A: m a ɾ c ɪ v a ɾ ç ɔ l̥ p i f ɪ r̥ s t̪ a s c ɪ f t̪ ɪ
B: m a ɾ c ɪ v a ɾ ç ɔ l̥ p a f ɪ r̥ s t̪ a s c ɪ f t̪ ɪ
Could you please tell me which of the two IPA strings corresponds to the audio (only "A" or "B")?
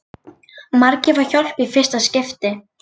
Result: A